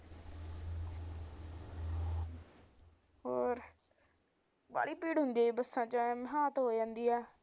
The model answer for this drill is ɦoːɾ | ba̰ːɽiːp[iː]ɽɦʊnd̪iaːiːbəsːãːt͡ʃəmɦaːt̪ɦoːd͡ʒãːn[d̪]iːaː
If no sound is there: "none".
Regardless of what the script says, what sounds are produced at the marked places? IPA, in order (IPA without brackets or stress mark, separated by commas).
iː, d̪